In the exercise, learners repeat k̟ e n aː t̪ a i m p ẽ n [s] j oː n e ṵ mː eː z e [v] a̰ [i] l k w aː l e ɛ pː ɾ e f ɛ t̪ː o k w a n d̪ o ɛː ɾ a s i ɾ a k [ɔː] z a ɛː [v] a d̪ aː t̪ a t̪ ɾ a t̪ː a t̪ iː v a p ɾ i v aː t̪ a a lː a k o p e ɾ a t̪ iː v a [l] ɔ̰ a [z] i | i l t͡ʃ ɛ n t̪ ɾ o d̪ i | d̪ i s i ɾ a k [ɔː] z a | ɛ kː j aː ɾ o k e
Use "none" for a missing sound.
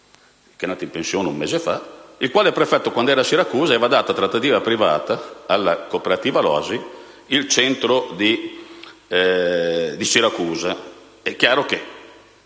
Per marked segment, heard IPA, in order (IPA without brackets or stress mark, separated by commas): s, f, i, uː, v, l, z, uː